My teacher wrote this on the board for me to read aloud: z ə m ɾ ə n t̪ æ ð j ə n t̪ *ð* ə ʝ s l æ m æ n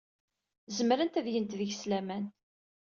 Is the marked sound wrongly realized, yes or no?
no